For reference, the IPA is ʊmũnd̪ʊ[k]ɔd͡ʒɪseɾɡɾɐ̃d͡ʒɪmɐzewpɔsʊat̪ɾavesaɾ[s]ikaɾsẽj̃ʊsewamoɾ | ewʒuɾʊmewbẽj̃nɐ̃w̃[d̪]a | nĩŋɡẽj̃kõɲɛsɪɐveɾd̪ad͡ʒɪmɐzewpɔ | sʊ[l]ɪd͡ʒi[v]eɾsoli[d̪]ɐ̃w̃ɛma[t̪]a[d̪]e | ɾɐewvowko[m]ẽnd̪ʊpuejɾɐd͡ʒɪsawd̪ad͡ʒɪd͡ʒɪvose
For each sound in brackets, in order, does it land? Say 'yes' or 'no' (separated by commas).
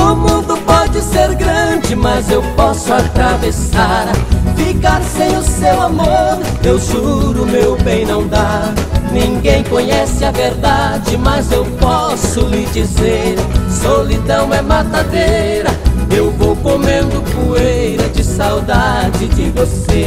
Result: no, no, yes, yes, no, yes, yes, yes, yes